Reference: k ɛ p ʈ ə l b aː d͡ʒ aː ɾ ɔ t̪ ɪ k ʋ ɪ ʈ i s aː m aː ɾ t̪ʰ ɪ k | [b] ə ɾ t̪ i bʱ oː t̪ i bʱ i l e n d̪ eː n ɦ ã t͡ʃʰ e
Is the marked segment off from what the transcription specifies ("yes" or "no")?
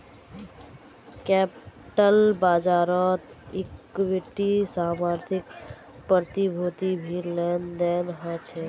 yes